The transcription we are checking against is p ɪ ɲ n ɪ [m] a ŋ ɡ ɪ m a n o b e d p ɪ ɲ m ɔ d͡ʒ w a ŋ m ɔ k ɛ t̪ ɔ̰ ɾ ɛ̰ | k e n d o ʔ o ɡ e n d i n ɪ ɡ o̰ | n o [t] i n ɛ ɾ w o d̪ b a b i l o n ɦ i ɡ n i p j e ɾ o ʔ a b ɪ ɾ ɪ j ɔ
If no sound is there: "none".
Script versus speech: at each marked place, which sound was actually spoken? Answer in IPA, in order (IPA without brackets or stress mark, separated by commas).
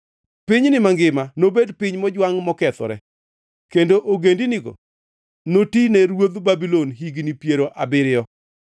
m, t